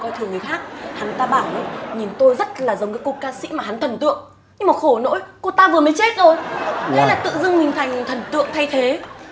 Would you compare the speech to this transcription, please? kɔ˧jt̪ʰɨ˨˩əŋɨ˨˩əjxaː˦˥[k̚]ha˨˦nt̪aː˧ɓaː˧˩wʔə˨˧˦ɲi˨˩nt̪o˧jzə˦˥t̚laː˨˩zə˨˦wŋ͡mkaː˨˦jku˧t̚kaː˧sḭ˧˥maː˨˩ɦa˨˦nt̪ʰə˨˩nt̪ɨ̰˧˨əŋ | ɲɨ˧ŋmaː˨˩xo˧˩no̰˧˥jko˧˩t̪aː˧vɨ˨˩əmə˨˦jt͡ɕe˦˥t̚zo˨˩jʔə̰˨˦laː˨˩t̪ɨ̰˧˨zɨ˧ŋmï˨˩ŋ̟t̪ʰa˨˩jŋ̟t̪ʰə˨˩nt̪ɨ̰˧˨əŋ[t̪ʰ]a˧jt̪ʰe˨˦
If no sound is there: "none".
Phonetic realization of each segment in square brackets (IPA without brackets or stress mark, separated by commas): k̚, t̪ʰ